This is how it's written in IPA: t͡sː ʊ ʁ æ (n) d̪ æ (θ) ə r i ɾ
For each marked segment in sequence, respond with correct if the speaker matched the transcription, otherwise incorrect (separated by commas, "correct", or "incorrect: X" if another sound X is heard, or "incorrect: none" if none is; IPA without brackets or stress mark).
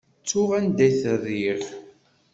correct, correct